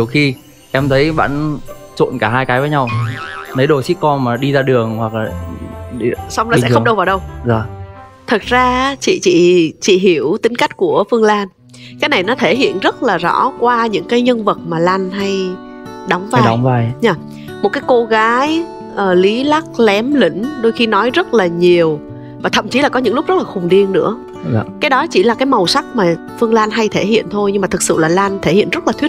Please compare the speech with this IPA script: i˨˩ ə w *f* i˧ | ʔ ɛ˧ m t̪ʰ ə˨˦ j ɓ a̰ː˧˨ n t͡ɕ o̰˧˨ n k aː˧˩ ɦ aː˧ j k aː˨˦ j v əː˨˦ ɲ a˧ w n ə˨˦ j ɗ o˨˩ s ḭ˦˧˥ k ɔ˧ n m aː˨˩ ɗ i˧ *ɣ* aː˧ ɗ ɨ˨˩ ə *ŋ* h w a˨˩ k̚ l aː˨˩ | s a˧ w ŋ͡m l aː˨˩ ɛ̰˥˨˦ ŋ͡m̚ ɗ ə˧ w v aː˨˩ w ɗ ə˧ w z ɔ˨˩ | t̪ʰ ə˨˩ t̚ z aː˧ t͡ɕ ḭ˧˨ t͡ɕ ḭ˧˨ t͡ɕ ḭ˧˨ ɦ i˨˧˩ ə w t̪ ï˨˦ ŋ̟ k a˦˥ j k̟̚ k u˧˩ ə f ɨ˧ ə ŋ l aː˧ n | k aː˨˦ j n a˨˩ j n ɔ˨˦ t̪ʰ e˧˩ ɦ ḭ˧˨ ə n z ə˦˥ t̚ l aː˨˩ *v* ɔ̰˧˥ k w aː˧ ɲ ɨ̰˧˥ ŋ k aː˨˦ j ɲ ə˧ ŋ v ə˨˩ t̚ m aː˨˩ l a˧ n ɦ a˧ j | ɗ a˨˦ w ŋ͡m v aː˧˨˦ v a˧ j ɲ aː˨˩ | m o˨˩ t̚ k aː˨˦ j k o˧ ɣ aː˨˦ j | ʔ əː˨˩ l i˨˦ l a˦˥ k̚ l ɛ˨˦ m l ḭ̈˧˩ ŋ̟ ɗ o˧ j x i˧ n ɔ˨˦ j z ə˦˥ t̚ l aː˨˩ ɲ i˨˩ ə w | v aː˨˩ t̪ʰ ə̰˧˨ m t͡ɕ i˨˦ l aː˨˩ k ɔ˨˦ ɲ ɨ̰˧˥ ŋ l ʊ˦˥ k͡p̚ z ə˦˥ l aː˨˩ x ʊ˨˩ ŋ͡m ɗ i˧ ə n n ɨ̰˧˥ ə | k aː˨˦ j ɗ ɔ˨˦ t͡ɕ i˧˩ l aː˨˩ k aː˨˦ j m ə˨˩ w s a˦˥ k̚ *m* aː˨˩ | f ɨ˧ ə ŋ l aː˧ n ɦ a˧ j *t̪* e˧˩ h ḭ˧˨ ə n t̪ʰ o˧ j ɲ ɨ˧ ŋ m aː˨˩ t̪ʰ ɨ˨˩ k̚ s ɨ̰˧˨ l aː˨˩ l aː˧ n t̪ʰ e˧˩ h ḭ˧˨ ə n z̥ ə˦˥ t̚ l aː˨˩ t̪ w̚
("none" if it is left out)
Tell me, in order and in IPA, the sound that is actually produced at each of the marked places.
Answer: x, z, ŋ, z, m, t̪ʰ

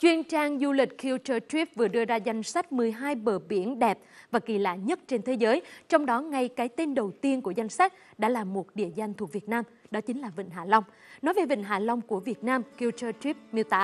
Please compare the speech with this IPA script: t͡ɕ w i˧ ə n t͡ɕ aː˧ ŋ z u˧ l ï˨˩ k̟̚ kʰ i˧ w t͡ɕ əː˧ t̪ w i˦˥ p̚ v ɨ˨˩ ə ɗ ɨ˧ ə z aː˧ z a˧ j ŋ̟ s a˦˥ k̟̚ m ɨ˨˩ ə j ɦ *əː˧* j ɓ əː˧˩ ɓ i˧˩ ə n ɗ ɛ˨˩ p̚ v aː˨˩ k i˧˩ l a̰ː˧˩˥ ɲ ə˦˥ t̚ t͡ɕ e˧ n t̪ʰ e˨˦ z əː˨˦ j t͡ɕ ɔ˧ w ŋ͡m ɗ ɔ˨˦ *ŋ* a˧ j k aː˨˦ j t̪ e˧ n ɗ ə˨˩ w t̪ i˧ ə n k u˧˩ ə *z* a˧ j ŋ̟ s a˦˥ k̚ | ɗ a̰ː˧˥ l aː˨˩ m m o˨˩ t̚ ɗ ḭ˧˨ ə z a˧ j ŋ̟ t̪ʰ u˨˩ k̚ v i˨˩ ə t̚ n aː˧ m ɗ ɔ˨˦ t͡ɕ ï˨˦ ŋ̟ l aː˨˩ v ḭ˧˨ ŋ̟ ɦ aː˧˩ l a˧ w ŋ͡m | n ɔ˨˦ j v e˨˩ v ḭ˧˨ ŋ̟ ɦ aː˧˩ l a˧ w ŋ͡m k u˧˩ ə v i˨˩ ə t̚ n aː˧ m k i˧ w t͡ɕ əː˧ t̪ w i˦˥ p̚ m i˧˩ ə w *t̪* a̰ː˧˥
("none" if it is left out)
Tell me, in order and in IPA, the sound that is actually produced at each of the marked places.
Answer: aː˧, ŋ, z, t̪

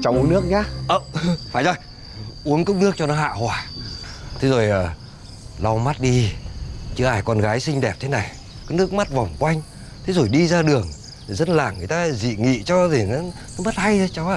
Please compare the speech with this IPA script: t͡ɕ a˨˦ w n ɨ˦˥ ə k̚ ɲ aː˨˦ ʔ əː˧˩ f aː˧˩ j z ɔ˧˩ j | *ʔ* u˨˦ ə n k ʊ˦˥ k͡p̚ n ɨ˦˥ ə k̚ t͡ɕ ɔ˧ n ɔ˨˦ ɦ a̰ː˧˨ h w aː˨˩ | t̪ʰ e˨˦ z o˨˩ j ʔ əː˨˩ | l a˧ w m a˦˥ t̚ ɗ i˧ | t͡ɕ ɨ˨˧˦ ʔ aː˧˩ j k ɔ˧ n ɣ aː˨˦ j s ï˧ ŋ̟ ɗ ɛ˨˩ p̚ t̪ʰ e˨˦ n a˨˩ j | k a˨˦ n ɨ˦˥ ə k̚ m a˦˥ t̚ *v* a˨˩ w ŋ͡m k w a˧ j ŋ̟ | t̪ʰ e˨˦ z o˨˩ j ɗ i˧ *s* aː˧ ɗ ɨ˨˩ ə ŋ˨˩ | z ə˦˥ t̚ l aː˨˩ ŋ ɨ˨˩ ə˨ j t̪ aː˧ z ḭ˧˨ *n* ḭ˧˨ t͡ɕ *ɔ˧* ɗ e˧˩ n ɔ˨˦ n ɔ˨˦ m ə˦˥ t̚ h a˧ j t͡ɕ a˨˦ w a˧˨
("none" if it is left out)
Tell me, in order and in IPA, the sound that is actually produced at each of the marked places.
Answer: ʔ, v, z, ŋ, ɔ˧

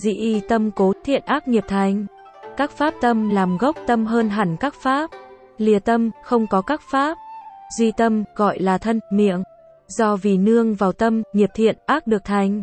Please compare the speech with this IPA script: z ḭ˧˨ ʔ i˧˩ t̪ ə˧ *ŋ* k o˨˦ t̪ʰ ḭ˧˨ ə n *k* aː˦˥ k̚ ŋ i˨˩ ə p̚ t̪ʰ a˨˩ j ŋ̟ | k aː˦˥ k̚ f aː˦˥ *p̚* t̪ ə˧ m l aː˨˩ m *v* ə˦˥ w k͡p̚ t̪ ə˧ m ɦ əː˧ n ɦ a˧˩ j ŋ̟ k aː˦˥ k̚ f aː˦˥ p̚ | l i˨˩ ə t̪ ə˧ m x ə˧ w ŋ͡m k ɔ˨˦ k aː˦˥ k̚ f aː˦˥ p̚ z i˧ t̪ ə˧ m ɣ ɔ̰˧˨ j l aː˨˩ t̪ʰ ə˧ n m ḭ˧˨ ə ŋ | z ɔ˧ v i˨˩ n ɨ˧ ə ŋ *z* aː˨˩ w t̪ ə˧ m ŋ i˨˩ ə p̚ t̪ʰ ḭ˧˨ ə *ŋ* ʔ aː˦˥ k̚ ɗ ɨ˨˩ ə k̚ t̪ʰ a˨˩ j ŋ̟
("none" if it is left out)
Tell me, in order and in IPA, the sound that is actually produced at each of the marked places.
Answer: m, ʔ, p̚, ɣ, v, n

